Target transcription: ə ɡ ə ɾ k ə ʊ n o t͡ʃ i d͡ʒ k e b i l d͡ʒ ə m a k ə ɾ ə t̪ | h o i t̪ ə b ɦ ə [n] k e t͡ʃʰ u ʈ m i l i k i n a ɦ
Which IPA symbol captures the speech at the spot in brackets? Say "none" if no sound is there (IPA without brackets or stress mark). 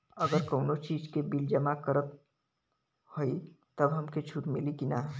m